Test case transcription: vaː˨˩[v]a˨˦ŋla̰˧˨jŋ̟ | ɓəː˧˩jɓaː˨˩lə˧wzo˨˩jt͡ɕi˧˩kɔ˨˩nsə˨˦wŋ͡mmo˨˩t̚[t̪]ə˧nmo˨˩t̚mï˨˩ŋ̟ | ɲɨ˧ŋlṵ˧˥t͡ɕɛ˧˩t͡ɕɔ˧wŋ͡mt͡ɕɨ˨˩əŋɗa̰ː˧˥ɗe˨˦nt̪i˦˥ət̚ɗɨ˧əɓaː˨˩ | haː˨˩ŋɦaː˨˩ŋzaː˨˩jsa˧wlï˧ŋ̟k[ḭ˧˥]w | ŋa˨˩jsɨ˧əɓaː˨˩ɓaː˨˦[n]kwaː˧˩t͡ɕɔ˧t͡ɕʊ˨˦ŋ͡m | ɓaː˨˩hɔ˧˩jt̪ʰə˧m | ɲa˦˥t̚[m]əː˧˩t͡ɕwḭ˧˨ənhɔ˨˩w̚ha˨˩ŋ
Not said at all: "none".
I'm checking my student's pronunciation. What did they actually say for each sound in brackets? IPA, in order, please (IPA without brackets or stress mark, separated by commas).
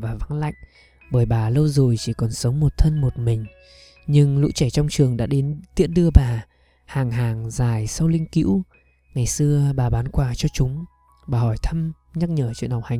v, t̪ʰ, ḭ˧˥, n, ɲ